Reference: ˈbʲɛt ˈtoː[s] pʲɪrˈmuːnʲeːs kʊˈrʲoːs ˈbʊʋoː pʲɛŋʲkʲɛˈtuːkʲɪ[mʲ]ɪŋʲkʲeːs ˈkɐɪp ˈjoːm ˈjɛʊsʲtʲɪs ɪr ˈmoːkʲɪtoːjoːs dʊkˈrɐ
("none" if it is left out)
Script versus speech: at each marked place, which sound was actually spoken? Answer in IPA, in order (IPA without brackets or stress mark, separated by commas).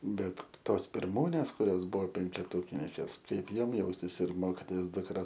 s, nʲ